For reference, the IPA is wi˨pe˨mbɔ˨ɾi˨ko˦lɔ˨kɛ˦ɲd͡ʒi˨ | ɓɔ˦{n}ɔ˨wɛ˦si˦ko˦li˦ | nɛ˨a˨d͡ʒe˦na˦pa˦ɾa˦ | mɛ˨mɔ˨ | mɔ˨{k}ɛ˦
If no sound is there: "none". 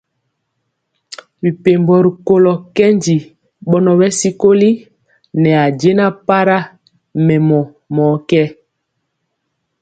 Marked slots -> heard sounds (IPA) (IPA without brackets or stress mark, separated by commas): n, k